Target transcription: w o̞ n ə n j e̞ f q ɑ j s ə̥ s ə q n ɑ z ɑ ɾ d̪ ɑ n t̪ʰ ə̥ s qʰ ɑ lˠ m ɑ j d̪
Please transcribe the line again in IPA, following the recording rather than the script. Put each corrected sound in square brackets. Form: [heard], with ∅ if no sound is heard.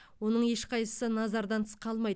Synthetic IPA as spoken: w o̞ n ə [ɴ] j e̞ [ʃ] q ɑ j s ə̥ s ə [∅] n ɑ z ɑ ɾ d̪ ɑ n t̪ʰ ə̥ s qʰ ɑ lˠ m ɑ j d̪